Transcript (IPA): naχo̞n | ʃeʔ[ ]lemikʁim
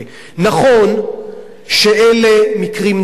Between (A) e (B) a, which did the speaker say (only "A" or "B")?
A